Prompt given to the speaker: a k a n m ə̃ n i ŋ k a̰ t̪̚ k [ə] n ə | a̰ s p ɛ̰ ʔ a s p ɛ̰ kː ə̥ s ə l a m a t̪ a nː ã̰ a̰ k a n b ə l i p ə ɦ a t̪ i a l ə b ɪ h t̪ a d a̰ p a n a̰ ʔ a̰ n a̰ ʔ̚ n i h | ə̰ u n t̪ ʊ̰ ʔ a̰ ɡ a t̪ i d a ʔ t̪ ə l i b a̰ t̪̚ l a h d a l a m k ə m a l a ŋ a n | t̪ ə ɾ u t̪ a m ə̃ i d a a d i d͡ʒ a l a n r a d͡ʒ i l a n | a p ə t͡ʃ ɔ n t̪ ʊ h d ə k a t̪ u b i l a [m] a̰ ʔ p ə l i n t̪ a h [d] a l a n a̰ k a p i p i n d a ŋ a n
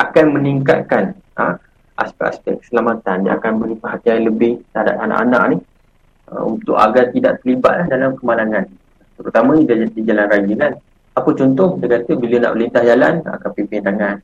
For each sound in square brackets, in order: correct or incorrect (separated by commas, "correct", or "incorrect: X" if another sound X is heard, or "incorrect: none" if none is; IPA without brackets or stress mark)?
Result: incorrect: a, incorrect: n, incorrect: d͡ʒ